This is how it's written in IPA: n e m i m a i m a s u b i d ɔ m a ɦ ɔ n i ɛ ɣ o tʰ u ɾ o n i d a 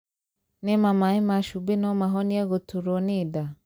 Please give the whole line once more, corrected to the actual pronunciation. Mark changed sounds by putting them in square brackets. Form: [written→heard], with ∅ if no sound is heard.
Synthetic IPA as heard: n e m [i→a] m a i m a [s→ʃ] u b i [d→n] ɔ m a ɦ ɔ n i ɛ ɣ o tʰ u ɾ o n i d a